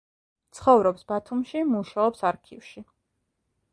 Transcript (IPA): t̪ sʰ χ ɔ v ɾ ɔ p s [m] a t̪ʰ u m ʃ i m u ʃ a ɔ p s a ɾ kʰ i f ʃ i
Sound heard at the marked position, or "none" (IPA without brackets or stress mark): b